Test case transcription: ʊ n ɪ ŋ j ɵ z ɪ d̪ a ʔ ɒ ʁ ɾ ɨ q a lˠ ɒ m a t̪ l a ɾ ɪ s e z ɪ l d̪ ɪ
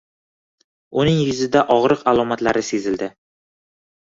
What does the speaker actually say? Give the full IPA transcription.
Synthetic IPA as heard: ʊ n ɪ ŋ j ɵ z ɪ d̪ a ʔ ɒ ʁ ɾ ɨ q a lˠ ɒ m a t̪ l a ɾ ɪ s e z ɪ l d̪ ɪ